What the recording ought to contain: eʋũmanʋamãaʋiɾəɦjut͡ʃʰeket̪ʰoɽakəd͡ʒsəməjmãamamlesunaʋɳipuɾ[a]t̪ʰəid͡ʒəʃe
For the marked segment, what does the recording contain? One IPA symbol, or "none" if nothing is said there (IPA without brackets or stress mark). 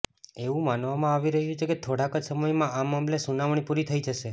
i